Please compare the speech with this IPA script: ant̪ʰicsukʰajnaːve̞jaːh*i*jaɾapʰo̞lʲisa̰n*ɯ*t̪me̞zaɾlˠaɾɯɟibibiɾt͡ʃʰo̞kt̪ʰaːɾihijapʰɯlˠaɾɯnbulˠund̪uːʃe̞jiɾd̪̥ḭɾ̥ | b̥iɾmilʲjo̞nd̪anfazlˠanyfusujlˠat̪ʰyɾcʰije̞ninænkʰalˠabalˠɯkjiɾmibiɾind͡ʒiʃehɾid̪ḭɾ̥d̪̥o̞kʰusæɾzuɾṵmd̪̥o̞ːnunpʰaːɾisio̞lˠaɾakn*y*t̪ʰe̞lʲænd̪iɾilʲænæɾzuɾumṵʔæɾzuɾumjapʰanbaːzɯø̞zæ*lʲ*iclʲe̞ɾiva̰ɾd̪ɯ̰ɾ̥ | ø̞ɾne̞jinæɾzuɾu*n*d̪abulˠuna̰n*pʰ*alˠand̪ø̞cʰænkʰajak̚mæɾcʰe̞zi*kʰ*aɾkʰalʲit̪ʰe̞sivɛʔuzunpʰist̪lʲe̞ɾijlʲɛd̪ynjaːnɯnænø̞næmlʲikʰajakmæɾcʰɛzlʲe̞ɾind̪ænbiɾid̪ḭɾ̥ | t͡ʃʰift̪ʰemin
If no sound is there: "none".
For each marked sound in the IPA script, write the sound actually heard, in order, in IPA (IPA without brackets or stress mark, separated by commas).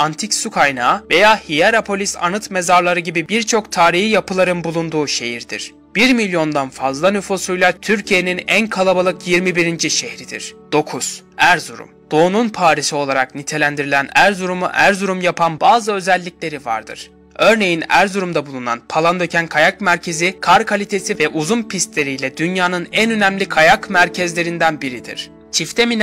i, ɯ, i, lʲː, m, pʰ, kʰ